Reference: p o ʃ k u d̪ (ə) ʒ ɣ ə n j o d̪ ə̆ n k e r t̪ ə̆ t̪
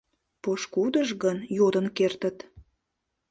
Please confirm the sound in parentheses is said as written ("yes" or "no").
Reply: yes